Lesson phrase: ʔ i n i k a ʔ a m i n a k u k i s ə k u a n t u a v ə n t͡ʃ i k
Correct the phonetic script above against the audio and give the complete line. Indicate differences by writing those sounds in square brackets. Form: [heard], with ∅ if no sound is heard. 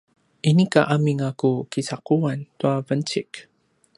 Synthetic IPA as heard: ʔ i n i k a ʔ a m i [ŋ] a k u k i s [a] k u a n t u a v ə n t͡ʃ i k